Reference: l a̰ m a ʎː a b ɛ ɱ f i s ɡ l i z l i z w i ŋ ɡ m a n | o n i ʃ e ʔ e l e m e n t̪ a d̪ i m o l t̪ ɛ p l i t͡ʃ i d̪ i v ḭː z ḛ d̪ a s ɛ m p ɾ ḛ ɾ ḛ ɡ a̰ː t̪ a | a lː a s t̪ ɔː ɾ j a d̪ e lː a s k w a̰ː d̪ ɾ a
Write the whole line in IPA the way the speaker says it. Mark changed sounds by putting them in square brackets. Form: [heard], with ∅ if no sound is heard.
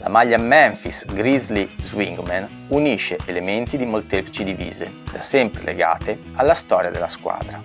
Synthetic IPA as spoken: l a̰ m a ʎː a [m] ɛ ɱ f i s ɡ [ɾ] i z l i z w i ŋ ɡ m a n | [u] n i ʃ e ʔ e l e m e n t̪ [i] d̪ i m o l t̪ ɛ p l i t͡ʃ i d̪ i v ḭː z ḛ d̪ a s ɛ m p ɾ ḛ [l] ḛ ɡ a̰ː t̪ [e] | a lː a s t̪ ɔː ɾ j a d̪ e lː a s k w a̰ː d̪ ɾ a